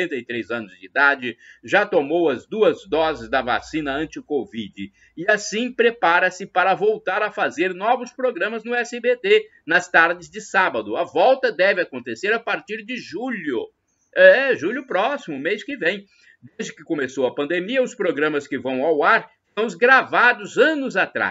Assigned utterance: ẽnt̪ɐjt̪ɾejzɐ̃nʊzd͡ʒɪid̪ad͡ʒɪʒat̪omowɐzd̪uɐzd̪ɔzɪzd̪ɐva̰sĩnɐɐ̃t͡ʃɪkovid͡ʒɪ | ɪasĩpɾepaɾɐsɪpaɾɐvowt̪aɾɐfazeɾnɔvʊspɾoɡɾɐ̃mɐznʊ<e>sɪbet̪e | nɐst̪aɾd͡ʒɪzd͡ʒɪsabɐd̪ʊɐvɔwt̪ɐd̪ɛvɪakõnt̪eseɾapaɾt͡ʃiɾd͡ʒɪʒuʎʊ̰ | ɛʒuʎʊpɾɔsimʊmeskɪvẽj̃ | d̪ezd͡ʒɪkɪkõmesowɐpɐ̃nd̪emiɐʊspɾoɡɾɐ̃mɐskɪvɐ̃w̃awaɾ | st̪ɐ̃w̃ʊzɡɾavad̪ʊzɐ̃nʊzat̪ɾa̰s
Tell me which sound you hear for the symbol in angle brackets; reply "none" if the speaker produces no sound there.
ɛ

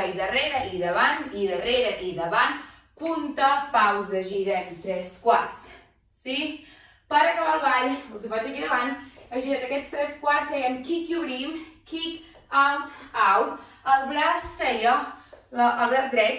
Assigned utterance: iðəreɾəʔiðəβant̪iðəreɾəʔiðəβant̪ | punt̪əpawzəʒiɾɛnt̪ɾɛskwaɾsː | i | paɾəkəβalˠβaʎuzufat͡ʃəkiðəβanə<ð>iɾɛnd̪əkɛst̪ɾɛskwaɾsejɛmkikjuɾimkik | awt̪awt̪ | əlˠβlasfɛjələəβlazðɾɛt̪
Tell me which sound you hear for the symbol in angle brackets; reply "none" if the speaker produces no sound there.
ʒ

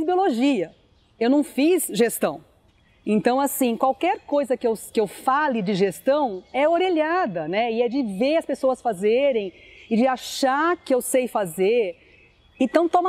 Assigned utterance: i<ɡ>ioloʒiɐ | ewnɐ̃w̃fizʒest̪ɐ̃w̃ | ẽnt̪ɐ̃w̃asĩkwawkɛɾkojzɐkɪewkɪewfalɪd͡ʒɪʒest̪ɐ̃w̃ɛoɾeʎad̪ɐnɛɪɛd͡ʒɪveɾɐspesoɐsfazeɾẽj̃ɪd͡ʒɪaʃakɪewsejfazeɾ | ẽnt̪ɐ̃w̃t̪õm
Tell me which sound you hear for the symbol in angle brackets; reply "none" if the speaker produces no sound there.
b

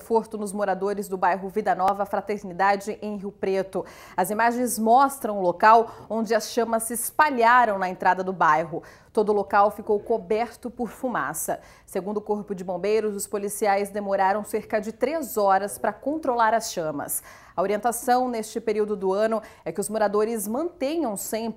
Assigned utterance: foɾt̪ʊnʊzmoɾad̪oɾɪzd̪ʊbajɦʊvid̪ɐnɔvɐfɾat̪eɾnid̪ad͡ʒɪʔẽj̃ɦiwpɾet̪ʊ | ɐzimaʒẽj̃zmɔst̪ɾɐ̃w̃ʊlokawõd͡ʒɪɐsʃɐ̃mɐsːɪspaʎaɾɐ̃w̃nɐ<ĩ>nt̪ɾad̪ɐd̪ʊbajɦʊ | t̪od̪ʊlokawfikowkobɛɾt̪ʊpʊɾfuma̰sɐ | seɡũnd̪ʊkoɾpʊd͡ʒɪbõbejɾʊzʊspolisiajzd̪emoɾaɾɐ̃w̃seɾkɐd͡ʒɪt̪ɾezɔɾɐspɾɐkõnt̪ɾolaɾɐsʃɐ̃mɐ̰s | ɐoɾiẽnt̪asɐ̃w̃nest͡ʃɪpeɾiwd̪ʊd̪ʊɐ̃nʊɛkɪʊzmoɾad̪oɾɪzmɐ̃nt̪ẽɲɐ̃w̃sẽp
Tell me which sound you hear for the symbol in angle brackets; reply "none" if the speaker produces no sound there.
ẽ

